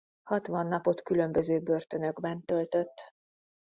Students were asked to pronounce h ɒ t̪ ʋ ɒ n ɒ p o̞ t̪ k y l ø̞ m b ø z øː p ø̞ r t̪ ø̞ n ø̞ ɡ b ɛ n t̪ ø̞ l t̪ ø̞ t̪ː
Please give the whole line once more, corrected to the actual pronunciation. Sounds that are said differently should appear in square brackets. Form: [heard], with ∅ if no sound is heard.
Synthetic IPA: h ɒ t̪ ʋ ɒ [nː] ɒ p o̞ t̪ k y l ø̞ m b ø z øː [b] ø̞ r t̪ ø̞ n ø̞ ɡ b ɛ n t̪ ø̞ l t̪ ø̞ t̪ː